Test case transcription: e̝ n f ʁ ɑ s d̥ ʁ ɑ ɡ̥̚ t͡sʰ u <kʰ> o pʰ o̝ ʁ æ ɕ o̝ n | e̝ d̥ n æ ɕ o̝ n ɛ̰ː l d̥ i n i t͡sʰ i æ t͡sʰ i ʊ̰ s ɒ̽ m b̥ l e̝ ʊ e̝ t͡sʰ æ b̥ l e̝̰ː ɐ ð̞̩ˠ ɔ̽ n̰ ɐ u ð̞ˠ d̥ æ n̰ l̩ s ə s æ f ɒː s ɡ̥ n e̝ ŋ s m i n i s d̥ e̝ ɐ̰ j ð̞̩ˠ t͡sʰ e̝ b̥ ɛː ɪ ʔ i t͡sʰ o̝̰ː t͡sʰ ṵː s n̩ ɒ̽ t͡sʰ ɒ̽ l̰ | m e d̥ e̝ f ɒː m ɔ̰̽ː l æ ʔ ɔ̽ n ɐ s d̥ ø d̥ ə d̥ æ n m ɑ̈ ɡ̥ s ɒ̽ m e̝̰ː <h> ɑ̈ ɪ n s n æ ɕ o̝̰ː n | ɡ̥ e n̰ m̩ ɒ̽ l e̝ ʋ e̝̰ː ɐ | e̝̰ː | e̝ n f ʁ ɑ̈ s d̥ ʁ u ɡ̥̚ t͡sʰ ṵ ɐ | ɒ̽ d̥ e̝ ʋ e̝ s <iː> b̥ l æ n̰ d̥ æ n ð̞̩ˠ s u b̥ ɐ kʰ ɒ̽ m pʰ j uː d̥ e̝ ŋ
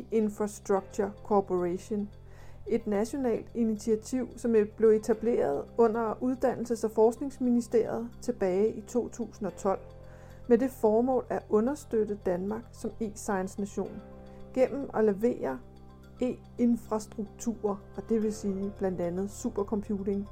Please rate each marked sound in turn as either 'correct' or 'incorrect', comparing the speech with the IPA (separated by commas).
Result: correct, incorrect, correct